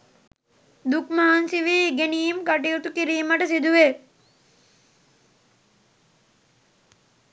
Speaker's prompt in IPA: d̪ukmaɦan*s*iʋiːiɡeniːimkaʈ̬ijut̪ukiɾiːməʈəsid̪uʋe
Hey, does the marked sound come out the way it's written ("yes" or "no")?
yes